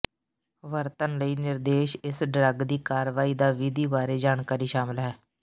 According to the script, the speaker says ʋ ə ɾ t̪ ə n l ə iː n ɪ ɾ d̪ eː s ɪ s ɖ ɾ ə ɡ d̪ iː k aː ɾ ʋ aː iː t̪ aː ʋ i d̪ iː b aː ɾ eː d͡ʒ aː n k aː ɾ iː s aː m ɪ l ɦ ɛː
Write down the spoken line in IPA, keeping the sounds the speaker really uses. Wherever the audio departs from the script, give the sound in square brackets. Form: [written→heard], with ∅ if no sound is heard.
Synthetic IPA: ʋ ə ɾ t̪ ə n l ə iː n ɪ ɾ d̪ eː [s→ʃ] ɪ s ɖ ɾ ə ɡ d̪ iː k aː ɾ ʋ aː iː [t̪→d̪] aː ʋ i d̪ iː b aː ɾ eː d͡ʒ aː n k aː ɾ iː [s→ʃ] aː m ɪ l ɦ ɛː